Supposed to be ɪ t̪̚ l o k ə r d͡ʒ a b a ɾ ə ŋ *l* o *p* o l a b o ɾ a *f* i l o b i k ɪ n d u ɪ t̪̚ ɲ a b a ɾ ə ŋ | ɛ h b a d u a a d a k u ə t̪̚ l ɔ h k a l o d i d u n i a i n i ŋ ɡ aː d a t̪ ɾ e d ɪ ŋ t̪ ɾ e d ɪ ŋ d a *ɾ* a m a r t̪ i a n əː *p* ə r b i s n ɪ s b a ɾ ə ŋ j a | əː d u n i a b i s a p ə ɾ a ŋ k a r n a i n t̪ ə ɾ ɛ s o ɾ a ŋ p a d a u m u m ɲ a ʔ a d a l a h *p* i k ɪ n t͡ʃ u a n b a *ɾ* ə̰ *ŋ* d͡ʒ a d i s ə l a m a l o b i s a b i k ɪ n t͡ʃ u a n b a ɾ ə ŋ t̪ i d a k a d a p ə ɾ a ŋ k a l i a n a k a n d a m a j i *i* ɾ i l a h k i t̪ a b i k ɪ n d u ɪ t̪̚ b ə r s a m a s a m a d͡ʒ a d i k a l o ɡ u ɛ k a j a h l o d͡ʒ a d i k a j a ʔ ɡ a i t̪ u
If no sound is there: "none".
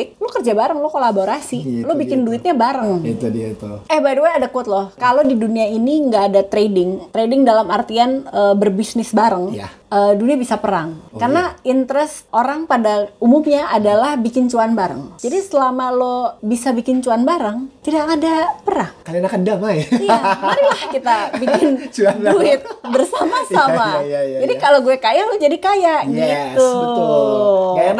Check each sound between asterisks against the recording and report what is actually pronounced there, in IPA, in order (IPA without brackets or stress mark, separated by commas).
l, k, s, l, b, b, ɾ, ŋ, a